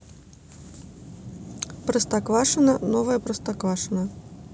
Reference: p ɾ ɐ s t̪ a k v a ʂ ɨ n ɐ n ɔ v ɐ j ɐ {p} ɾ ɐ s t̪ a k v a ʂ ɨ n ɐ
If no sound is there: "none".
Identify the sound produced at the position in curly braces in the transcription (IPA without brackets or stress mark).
p